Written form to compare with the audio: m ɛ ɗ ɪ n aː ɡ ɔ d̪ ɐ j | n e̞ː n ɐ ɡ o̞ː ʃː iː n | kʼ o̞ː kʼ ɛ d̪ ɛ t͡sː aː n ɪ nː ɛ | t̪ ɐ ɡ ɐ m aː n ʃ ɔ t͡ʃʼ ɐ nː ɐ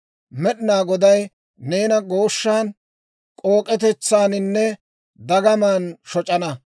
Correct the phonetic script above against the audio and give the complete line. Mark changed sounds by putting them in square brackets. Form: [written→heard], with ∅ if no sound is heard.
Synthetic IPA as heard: m ɛ ɗ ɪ n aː ɡ ɔ d̪ ɐ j | n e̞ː n ɐ ɡ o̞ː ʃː [iː→aː] n | kʼ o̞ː kʼ ɛ [d̪→t̪] ɛ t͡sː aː n ɪ nː ɛ | [t̪→d̪] ɐ ɡ ɐ m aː n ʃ ɔ t͡ʃʼ ɐ [nː→n] ɐ